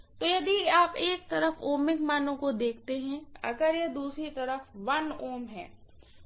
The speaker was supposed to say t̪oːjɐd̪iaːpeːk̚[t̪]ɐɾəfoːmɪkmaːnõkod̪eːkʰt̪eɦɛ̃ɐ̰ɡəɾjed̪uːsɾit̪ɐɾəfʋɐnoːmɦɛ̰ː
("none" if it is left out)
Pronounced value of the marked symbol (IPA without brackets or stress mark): t̪